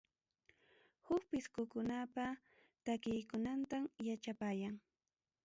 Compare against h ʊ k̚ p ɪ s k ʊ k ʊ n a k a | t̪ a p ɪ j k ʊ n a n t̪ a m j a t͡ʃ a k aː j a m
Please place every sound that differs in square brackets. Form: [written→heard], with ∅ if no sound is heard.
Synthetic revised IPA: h ʊ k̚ p ɪ s k ʊ k ʊ n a [k→p] a | t̪ a [p→k] ɪ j k ʊ n a n t̪ a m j a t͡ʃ a [k→p] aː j a [m→ŋ]